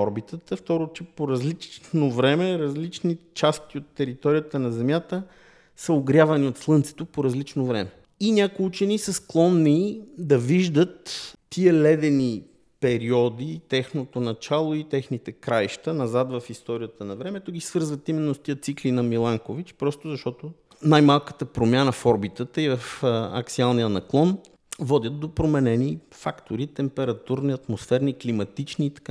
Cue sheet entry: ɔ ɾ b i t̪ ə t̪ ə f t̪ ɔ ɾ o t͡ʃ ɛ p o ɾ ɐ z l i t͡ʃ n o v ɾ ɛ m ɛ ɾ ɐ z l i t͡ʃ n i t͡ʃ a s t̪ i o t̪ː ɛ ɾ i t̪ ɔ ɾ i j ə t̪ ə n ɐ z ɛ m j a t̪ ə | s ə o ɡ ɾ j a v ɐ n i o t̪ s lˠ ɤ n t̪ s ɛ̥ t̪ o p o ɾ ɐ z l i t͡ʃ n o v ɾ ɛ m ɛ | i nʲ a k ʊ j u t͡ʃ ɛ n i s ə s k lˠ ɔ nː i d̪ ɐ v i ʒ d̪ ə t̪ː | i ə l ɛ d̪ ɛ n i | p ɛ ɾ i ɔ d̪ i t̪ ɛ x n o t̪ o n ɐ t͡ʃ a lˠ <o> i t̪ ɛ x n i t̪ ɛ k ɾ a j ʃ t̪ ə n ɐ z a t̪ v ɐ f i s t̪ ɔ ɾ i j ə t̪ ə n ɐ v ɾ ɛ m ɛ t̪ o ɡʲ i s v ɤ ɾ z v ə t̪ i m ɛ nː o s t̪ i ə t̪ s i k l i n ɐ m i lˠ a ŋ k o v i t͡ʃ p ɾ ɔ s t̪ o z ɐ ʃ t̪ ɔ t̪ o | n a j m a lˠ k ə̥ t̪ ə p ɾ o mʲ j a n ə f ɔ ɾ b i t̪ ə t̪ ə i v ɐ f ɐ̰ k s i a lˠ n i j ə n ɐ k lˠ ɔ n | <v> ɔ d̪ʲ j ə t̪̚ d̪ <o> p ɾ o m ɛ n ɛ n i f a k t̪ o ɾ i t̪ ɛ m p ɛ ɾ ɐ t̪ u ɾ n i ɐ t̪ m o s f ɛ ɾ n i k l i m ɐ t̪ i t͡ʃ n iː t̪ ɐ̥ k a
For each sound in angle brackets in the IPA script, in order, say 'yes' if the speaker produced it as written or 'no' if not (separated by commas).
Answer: yes, yes, yes